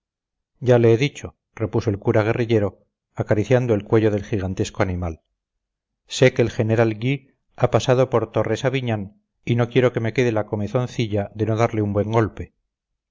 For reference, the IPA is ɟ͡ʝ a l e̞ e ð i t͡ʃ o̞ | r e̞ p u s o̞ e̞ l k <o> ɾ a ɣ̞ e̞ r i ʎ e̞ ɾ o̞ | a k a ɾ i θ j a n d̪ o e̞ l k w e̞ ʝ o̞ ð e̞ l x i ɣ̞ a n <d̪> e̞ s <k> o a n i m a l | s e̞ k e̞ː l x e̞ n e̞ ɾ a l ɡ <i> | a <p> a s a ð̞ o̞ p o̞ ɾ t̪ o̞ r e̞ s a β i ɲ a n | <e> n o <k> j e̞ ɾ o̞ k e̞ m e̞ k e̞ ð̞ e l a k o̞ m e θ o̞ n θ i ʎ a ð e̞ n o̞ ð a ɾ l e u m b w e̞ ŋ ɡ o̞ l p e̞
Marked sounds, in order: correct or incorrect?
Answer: incorrect: u, incorrect: t̪, correct, correct, correct, incorrect: i, correct

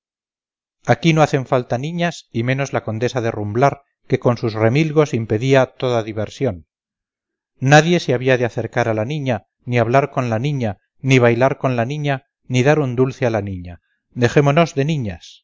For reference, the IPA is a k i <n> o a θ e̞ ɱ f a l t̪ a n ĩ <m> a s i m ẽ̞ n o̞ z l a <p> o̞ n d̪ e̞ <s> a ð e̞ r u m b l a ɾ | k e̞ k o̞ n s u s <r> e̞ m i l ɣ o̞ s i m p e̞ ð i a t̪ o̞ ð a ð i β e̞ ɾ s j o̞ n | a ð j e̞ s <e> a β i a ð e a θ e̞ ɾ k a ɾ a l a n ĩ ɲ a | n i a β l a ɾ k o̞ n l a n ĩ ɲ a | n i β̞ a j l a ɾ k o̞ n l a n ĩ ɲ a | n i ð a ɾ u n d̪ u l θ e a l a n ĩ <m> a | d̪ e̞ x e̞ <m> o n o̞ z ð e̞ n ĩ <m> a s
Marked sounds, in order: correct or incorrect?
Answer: correct, incorrect: ɲ, incorrect: k, correct, correct, correct, incorrect: ɲ, correct, incorrect: ɲ

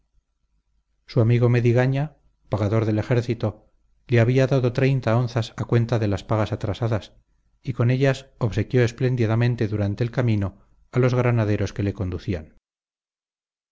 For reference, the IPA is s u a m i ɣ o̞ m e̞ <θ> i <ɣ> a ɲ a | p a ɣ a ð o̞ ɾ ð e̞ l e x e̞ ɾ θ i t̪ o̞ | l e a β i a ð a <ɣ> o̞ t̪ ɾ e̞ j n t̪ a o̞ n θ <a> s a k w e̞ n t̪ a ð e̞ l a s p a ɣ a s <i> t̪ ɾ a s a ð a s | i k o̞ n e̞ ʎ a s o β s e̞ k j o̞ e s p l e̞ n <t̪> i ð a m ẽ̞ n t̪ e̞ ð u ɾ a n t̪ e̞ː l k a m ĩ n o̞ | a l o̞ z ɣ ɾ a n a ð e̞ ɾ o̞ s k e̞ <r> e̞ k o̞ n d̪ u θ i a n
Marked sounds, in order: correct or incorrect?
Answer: incorrect: ð, correct, incorrect: ð, correct, incorrect: a, incorrect: d̪, incorrect: l

